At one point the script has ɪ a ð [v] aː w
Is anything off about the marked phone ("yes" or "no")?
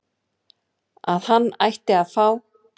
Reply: yes